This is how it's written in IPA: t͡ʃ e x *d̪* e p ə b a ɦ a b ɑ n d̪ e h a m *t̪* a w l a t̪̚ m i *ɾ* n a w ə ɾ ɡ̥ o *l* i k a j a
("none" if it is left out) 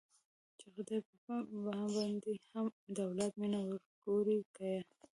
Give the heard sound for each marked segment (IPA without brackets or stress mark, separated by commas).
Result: d̪, d̪, none, ɾ